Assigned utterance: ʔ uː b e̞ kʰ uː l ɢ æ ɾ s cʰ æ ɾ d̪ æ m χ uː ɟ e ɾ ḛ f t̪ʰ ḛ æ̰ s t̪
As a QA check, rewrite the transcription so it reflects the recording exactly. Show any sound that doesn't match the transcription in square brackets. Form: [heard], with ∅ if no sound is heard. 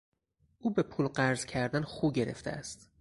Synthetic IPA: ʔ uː b e̞ [pʰ] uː l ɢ æ ɾ [z] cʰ æ ɾ d̪ æ [n] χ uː ɟ e ɾ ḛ f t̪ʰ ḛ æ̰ s t̪

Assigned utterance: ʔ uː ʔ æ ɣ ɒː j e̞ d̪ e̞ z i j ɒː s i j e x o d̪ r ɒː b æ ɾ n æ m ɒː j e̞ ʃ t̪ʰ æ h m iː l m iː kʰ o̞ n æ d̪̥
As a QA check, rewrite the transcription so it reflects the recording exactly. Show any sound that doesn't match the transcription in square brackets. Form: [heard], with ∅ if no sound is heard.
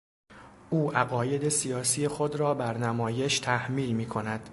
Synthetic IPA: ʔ uː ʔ æ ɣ ɒː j e̞ d̪ e̞ [s] i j ɒː s i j e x o d̪ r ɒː b æ ɾ n æ m ɒː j e̞ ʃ t̪ʰ æ h m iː l m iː kʰ o̞ n æ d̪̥

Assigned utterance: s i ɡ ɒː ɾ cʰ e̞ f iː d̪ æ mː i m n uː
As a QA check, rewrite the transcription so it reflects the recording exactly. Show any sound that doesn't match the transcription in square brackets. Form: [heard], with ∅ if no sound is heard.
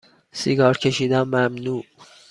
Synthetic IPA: s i ɡ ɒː ɾ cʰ e̞ [ʃ] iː d̪ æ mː [æ] m n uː

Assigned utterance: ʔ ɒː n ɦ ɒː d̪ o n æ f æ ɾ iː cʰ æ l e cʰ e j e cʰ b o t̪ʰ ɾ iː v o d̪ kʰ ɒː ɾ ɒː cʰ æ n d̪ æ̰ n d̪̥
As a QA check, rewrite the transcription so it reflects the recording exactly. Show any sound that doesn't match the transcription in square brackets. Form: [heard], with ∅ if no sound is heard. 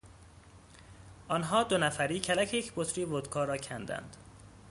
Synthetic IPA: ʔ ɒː n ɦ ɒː d̪ o n æ f æ ɾ iː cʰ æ l [æ] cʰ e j e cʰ b o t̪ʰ ɾ iː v o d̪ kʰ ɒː ɾ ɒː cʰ æ n d̪ æ̰ n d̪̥

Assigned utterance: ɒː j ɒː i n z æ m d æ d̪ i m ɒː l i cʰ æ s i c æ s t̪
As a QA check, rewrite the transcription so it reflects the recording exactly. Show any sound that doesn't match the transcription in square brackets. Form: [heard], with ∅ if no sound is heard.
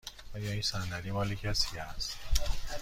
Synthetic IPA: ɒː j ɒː i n [s] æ [n] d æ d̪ i m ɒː l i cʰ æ s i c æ s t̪

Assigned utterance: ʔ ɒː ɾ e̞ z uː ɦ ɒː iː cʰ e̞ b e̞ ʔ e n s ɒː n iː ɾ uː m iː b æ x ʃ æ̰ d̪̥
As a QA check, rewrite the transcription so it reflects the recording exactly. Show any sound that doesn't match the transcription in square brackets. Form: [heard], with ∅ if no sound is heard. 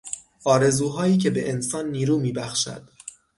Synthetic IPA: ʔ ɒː ɾ e̞ z uː ɦ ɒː iː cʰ e̞ b e̞ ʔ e n s ɒː [nː] iː ɾ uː m iː b æ x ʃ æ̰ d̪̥

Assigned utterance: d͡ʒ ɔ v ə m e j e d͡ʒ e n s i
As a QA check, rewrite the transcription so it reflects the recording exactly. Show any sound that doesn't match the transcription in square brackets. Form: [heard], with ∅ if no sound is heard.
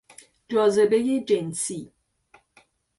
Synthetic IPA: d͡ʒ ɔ [z] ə [b] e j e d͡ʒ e n s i

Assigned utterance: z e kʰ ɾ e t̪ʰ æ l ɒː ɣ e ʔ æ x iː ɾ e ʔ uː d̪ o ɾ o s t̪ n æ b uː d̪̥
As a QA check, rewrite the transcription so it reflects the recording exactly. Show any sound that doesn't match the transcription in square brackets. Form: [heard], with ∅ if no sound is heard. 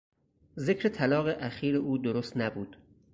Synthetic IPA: z e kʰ ɾ e t̪ʰ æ l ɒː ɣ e ʔ æ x iː ɾ e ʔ uː d̪ o ɾ o s t̪ n æ b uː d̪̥

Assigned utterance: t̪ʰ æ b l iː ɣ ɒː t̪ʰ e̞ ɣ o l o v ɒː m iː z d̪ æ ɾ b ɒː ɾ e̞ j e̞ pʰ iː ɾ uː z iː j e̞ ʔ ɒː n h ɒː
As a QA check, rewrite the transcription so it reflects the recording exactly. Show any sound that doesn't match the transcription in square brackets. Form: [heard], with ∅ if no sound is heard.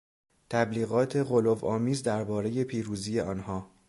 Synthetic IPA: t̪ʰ æ b l iː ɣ ɒː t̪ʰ e̞ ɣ o l o v ɒː m iː z d̪ æ ɾ b ɒː ɾ e̞ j e̞ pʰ iː ɾ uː z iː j e̞ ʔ ɒː n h ɒː

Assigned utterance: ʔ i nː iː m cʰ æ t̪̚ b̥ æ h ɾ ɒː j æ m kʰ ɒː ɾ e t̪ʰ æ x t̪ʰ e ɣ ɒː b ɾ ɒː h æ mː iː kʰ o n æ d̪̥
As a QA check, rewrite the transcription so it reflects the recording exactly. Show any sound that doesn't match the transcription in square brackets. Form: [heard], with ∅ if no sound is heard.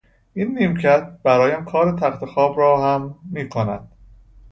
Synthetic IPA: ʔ i nː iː m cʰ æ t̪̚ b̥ æ [∅] ɾ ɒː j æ m kʰ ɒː ɾ e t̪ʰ æ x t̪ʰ e [x] ɒː b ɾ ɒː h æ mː iː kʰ o n æ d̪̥

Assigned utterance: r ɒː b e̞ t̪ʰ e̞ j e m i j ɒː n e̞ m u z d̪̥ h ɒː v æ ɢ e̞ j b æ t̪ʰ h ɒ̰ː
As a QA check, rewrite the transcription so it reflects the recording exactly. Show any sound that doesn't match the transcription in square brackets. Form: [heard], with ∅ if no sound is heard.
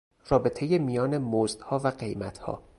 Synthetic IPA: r ɒː b e̞ t̪ʰ e̞ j e m i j ɒː n e̞ m [o] z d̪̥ h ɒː v æ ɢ e̞ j [m] æ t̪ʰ h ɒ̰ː

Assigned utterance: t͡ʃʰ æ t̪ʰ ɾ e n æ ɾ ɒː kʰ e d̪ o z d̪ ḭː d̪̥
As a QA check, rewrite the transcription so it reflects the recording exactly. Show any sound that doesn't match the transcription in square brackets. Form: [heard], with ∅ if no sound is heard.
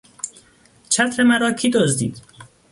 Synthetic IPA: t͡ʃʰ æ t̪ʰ ɾ e [m] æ ɾ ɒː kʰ [i] d̪ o z d̪ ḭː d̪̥

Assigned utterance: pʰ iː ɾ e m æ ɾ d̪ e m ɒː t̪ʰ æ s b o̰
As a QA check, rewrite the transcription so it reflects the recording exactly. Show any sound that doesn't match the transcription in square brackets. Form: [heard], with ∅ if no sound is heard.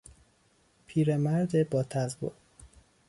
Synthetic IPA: pʰ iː ɾ e m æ ɾ d̪ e [b] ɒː t̪ʰ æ [z] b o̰

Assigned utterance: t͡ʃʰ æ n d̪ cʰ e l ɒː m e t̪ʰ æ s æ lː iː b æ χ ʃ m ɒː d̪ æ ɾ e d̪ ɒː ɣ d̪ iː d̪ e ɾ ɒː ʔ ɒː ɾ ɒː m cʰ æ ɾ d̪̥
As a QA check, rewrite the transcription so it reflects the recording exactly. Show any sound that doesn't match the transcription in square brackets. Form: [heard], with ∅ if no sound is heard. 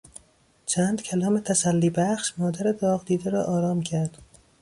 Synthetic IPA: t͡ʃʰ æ n d̪ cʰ [æ] l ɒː m e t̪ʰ æ s æ lː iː b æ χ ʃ m ɒː d̪ æ ɾ e d̪ ɒː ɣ d̪ iː d̪ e ɾ ɒː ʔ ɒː ɾ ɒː m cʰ æ ɾ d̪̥

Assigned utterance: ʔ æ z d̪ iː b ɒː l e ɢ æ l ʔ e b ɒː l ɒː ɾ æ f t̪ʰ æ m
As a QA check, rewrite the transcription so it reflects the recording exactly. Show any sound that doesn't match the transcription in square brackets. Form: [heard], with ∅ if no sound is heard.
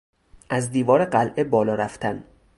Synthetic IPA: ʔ æ z d̪ iː [v] ɒː [ɾ] e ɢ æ l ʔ e b ɒː l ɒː ɾ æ f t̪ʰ æ [n]

